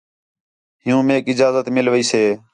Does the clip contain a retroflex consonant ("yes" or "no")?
no